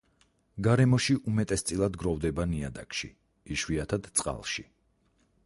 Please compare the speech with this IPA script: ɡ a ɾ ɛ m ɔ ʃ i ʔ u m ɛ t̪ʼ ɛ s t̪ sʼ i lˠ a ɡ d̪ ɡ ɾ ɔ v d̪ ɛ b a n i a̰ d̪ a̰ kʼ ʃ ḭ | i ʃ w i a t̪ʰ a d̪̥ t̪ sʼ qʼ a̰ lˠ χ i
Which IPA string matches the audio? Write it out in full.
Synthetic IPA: ɡ a ɾ ɛ m ɔ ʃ i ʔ u m ɛ t̪ʼ ɛ s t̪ sʼ i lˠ a d̪ ɡ ɾ ɔ v d̪ ɛ b a n i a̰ d̪ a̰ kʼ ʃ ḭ | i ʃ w i a t̪ʰ a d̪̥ t̪ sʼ qʼ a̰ lˠ ʃ i